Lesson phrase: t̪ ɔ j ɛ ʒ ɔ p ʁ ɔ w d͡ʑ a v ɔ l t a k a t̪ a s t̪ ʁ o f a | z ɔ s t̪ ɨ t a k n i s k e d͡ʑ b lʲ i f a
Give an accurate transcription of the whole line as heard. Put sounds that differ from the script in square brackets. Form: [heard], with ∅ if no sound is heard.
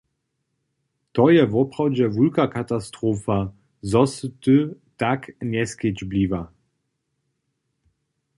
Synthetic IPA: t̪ ɔ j ɛ [v] ɔ p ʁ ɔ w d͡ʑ [ɛ] v [u] l [k] a k a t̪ a s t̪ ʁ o f a | z ɔ s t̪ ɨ t a k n [ɛ] s k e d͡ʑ b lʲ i [v] a